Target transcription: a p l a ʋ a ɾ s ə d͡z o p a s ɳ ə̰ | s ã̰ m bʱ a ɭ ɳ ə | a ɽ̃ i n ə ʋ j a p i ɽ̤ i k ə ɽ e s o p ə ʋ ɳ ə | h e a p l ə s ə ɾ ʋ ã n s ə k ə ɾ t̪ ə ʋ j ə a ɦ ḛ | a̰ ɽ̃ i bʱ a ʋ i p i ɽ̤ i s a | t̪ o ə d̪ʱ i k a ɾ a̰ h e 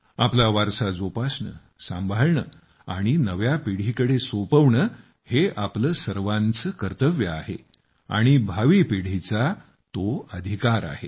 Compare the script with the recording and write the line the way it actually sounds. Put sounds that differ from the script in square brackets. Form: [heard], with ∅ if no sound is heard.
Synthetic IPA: a p l a ʋ a ɾ s [a] d͡z o p a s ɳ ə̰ | s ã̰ m bʱ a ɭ ɳ ə | a ɽ̃ i n ə ʋ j a p i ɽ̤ i k ə ɽ e s o p ə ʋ ɳ ə | h e a p l ə s ə ɾ ʋ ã n [t͡s] ə k ə ɾ t̪ ə ʋ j ə a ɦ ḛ | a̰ ɽ̃ i bʱ a ʋ i p i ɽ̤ i [t͡s] a | t̪ o ə d̪ʱ i k a ɾ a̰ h e